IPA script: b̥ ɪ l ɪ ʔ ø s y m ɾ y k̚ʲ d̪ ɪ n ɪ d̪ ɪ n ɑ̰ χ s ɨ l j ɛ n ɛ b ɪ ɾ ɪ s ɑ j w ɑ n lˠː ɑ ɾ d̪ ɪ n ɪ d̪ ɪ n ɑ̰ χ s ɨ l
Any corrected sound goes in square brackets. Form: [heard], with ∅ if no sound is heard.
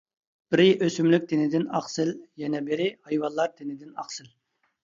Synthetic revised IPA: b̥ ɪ [ɾ] ɪ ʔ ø s y m [l] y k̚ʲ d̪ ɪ n ɪ d̪ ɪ n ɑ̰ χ s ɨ l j ɛ n ɛ b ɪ ɾ ɪ [h] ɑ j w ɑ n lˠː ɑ ɾ d̪ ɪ n ɪ d̪ ɪ n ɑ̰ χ s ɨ l